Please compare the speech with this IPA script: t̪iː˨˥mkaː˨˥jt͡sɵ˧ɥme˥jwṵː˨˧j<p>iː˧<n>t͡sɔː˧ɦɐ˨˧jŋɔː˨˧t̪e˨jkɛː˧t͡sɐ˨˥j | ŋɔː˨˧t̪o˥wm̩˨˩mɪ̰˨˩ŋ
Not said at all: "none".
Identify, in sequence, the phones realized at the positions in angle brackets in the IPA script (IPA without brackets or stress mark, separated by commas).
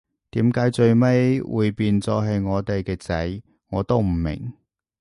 p, n